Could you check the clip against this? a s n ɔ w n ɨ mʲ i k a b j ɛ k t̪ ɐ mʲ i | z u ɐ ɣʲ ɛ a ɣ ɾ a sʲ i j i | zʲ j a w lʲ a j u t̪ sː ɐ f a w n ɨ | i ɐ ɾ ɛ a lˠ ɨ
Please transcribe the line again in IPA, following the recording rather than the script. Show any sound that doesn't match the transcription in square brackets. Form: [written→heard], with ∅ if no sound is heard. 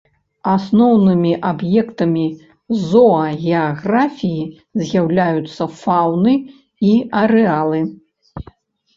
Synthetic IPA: a s n ɔ w n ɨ mʲ i [k→ʔ] a b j ɛ k t̪ ɐ mʲ i | z [u→ɔ] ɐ ɣʲ ɛ a ɣ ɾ a [sʲ→fʲ] i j i | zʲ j a w lʲ a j u t̪ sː ɐ f a w n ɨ | i ɐ ɾ ɛ a lˠ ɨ

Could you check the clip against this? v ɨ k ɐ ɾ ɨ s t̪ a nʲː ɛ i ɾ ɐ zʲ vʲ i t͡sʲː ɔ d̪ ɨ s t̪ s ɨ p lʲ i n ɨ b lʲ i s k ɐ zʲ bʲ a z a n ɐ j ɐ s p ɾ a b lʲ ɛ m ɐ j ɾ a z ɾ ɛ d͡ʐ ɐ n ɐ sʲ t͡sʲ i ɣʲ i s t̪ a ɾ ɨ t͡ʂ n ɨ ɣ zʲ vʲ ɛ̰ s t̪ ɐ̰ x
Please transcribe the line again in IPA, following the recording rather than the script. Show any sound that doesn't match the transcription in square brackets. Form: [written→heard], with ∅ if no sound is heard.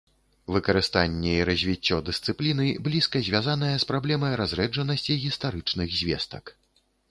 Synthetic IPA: v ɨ k ɐ ɾ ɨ s t̪ a nʲː ɛ i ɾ ɐ zʲ vʲ i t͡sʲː ɔ d̪ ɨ s t̪ s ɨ p lʲ i n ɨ b lʲ i s k ɐ zʲ [bʲ→vʲ] a z a n ɐ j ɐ s p ɾ a b lʲ ɛ m ɐ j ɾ a z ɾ ɛ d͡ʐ ɐ n ɐ sʲ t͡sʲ i ɣʲ i s t̪ a ɾ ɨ t͡ʂ n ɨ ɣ zʲ vʲ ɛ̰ s t̪ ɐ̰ [x→k]

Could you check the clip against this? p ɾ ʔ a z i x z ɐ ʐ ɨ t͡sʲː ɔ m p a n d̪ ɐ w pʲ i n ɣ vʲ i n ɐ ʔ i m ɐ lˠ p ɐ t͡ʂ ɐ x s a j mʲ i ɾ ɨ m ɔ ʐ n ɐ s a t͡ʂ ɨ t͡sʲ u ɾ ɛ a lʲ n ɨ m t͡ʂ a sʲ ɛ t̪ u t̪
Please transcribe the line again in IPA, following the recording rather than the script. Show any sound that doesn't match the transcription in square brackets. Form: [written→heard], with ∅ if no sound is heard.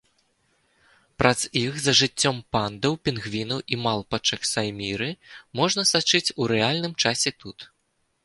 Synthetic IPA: p ɾ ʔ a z i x z ɐ ʐ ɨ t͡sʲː ɔ m p a n d̪ ɐ w pʲ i n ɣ vʲ i n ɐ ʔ i m [ɐ→a] lˠ p ɐ t͡ʂ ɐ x s a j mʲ i ɾ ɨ m ɔ ʐ n ɐ s a t͡ʂ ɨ t͡sʲ u ɾ ɛ a lʲ n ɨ m t͡ʂ a sʲ ɛ t̪ u t̪

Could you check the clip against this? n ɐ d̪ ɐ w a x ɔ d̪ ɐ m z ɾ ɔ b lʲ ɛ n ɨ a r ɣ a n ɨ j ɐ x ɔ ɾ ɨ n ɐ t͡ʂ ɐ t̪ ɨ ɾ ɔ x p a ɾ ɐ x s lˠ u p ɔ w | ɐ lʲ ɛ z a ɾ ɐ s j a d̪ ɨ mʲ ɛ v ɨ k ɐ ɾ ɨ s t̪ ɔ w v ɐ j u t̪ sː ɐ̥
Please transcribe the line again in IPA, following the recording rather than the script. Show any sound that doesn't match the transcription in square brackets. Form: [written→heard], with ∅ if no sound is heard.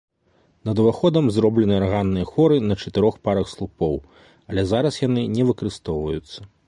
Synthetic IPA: n ɐ d̪ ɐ [w→v] a x ɔ d̪ ɐ m z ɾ ɔ b lʲ ɛ n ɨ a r ɣ a [n→nː] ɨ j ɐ x ɔ ɾ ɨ n ɐ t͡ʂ ɐ t̪ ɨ ɾ ɔ x p a ɾ ɐ x s lˠ u p ɔ w | ɐ lʲ ɛ z a ɾ ɐ s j a [d̪→n̪] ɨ [mʲ→nʲ] ɛ v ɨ k ɐ ɾ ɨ s t̪ ɔ w v ɐ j u t̪ sː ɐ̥

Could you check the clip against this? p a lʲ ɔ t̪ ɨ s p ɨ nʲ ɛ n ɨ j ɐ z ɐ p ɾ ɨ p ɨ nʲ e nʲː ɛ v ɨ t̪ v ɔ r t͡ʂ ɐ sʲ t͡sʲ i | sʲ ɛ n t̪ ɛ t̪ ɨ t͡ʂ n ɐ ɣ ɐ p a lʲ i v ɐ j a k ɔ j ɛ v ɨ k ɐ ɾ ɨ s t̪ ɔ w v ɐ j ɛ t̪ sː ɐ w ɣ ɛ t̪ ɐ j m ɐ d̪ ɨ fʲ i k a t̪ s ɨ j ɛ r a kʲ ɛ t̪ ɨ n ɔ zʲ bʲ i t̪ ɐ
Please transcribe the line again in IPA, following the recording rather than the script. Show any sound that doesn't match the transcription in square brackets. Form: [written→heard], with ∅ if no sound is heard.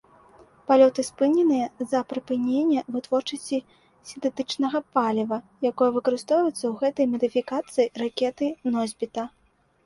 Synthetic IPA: p a lʲ ɔ t̪ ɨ s p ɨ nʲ ɛ n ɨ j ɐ z ɐ p ɾ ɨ p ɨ nʲ e nʲː ɛ v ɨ t̪ v ɔ r t͡ʂ ɐ sʲ t͡sʲ i | sʲ [ɛ→i] n t̪ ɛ t̪ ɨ t͡ʂ n ɐ ɣ ɐ p a lʲ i v ɐ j a k ɔ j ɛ v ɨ k ɐ ɾ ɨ s t̪ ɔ w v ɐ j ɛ t̪ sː ɐ w ɣ ɛ t̪ ɐ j m ɐ d̪ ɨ fʲ i k a t̪ s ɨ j [ɛ→i] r a kʲ ɛ t̪ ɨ n ɔ zʲ bʲ i t̪ ɐ

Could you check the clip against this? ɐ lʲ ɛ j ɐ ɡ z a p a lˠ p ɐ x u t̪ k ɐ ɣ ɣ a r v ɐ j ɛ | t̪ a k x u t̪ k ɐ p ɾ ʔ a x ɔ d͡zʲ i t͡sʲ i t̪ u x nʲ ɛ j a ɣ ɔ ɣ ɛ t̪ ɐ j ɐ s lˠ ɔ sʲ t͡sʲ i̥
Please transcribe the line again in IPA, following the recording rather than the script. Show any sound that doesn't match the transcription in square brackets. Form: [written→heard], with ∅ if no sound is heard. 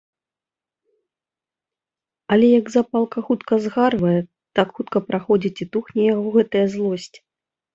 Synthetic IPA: ɐ lʲ ɛ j ɐ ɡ z a p a lˠ [p→k] ɐ x u t̪ k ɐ [ɣ→z] ɣ a r v ɐ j ɛ | t̪ a k x u t̪ k ɐ p ɾ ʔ a x ɔ d͡zʲ i t͡sʲ i t̪ u x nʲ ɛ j a ɣ ɔ ɣ ɛ t̪ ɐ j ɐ [s→z] lˠ ɔ sʲ t͡sʲ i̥

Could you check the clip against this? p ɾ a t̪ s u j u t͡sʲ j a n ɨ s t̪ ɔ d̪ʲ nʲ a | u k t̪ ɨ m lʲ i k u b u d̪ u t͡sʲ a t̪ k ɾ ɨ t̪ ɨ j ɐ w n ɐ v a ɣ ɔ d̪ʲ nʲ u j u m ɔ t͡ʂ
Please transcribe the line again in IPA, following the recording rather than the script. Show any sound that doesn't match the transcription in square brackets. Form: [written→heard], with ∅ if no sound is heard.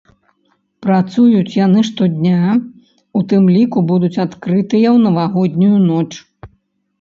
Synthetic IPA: p ɾ a t̪ s u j u t͡sʲ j a n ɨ [s→ʂ] t̪ ɔ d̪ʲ nʲ a | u [k→∅] t̪ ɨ m lʲ i k u b u d̪ u t͡sʲ a t̪ k ɾ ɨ t̪ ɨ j ɐ w n ɐ v a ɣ ɔ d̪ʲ nʲ u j u [m→n] ɔ t͡ʂ

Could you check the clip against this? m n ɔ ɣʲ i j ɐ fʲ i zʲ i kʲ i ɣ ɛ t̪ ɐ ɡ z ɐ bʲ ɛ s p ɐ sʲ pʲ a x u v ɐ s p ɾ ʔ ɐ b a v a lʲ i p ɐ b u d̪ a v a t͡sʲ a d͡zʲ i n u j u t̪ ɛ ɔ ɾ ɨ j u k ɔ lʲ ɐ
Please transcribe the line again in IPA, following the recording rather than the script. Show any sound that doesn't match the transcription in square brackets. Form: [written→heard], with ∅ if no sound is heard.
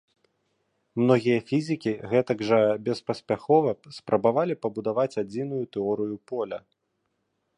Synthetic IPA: m n ɔ ɣʲ i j ɐ fʲ i zʲ i kʲ i ɣ ɛ t̪ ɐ ɡ [z→ʐ] ɐ bʲ ɛ s p ɐ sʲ pʲ a x [u→ɔ] v ɐ s p ɾ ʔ ɐ b a v a lʲ i p ɐ b u d̪ a v a t͡sʲ a d͡zʲ i n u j u t̪ ɛ ɔ ɾ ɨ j u [k→p] ɔ lʲ ɐ

